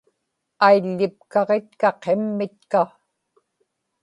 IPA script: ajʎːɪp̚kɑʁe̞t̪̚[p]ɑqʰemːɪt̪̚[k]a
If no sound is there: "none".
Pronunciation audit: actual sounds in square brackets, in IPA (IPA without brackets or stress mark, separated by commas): k, k